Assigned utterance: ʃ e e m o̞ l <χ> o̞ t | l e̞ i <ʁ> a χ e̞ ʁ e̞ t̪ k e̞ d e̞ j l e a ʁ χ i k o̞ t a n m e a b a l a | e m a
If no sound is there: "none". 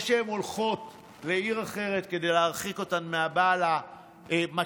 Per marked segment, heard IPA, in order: χ, ʁ

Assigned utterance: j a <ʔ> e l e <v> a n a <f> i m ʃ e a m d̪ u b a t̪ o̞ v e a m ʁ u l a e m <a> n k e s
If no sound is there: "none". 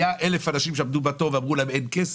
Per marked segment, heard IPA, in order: ʔ, f, ʃ, e

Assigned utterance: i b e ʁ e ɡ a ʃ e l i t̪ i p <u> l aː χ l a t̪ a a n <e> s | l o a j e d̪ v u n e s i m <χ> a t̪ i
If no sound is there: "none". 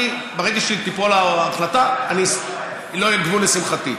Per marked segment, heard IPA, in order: o, i, χ

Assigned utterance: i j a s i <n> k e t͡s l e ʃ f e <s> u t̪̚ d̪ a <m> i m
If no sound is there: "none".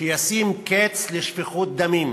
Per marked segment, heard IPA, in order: m, χ, m

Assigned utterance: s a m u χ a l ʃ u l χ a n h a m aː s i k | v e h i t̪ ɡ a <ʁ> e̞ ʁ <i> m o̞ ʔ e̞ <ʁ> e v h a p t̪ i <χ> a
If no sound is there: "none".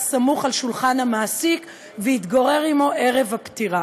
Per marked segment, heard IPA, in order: ʁ, i, ʁ, ʁ

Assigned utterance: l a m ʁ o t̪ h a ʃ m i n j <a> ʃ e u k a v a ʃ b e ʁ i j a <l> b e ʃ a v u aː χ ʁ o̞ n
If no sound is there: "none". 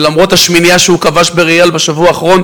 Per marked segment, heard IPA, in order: a, l

